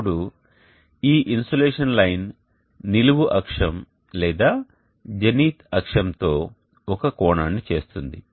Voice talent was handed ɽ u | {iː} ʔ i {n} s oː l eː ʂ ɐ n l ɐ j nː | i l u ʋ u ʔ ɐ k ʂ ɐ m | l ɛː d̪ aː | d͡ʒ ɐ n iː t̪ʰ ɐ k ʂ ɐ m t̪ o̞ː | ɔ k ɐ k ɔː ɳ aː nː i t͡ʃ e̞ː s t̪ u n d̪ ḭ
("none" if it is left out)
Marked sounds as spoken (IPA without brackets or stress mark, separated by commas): iː, n